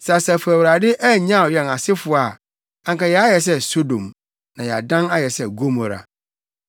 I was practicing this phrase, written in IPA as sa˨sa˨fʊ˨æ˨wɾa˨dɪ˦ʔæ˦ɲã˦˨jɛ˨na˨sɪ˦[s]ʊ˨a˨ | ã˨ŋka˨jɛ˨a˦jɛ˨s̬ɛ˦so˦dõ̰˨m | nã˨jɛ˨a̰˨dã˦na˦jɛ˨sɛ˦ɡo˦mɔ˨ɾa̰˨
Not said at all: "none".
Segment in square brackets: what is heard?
f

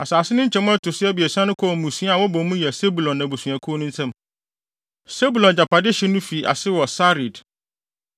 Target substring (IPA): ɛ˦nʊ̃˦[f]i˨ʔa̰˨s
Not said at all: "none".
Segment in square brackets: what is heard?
f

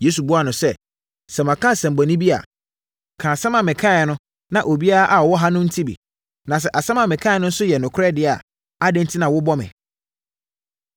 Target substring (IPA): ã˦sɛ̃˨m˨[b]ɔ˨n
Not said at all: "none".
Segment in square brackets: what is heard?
b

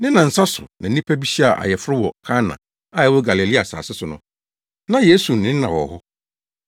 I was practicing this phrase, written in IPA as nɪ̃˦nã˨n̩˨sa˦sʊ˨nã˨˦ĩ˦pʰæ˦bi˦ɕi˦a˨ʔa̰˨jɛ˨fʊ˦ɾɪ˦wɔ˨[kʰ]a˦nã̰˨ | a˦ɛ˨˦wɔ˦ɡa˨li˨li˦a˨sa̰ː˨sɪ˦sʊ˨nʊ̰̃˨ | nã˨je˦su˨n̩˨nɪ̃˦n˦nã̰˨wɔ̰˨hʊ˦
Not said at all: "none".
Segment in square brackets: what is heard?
kʰ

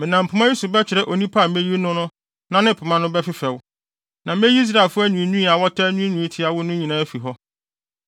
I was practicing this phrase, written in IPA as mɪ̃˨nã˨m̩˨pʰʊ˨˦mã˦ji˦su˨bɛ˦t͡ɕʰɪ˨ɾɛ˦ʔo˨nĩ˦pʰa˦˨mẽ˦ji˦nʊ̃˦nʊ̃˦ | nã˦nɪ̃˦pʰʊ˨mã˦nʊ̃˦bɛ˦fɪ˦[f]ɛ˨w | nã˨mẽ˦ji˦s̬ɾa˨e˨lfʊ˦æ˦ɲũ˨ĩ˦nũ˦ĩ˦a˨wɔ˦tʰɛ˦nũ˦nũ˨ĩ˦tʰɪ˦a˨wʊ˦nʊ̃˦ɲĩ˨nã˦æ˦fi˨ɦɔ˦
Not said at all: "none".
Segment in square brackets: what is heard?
f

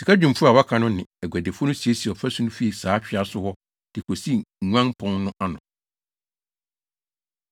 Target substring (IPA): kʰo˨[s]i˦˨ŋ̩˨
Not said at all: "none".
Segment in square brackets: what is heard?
s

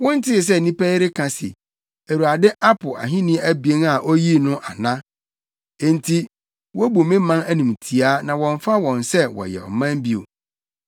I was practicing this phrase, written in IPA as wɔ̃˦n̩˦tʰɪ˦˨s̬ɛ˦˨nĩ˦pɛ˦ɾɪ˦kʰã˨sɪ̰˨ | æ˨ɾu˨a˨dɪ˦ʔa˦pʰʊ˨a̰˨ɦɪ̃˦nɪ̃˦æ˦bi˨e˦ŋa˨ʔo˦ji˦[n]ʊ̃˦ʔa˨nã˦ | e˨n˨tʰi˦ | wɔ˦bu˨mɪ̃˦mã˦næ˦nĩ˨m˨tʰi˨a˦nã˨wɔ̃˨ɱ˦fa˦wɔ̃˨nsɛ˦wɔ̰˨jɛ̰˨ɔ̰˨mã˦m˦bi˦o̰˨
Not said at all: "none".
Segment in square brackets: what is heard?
n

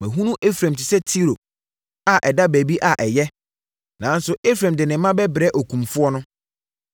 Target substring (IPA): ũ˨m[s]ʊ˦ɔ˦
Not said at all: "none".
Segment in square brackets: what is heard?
f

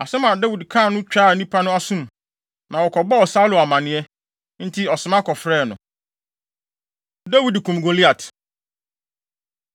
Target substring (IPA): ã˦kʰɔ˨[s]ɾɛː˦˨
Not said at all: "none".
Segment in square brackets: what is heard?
f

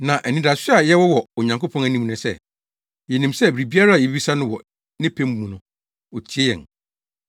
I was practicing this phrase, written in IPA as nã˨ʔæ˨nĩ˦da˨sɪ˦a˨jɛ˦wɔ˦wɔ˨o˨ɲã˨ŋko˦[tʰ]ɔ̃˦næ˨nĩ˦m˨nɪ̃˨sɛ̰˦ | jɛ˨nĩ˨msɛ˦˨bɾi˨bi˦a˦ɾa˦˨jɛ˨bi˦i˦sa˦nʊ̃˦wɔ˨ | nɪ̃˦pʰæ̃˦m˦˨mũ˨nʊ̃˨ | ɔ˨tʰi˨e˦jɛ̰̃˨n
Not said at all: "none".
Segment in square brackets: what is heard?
pʰ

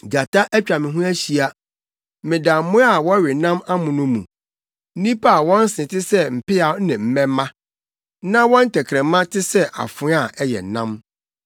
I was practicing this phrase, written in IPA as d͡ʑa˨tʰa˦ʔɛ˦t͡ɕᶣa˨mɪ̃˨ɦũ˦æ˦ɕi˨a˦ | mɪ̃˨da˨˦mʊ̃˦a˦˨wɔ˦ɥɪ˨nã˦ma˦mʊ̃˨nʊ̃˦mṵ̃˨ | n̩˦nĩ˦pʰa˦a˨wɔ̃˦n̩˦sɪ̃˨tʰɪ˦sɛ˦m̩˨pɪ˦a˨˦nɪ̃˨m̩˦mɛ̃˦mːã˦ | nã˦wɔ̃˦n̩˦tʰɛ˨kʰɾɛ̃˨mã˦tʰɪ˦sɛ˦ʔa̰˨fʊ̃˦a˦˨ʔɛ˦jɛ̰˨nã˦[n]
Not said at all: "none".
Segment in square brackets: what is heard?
m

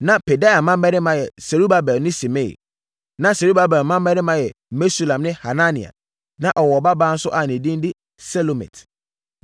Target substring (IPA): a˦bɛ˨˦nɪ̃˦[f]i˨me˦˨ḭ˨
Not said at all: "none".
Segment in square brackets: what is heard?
s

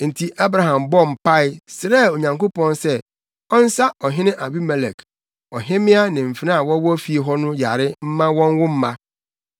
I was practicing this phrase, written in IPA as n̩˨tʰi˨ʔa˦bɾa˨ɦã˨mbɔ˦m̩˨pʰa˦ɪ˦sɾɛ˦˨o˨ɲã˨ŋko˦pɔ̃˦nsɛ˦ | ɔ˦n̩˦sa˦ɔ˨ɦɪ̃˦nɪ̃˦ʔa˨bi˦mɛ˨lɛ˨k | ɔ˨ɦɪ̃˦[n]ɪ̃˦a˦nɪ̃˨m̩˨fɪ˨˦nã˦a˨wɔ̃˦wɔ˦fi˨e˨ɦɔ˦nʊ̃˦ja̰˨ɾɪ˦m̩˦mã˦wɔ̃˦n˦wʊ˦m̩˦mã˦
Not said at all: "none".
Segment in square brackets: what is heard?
m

